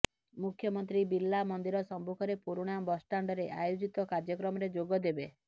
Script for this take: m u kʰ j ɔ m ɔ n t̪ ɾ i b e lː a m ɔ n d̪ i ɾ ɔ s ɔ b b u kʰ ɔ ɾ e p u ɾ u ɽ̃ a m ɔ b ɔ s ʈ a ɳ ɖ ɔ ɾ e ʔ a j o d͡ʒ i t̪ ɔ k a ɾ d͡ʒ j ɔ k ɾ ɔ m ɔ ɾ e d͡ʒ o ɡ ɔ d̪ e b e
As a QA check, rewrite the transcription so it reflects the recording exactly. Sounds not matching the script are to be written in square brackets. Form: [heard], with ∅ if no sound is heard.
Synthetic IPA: m u kʰ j ɔ m ɔ n t̪ ɾ i b [i] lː a m ɔ n d̪ i ɾ ɔ s ɔ [m] b u kʰ ɔ ɾ e p u ɾ u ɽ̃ a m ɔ b ɔ s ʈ a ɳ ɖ ɔ ɾ e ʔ a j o d͡ʒ i t̪ ɔ k a ɾ d͡ʒ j ɔ k ɾ ɔ m ɔ ɾ e d͡ʒ o ɡ ɔ d̪ e b e